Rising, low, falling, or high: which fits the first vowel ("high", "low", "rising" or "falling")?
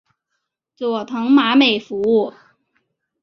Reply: low